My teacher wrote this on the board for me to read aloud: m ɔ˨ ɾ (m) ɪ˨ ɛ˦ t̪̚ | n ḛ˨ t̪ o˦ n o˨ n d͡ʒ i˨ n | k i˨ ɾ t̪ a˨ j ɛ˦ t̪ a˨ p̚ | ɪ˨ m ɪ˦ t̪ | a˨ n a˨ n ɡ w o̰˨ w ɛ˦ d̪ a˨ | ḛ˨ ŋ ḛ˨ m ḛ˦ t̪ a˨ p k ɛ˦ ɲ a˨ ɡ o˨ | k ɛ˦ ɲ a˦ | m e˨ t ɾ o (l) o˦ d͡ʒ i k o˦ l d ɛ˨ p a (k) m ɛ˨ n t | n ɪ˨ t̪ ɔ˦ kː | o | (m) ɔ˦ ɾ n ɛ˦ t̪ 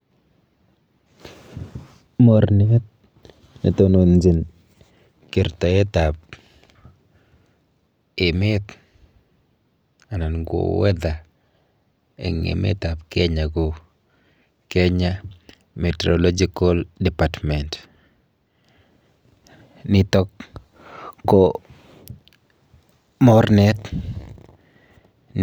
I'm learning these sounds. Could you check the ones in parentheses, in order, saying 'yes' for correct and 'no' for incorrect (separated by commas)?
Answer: no, yes, no, yes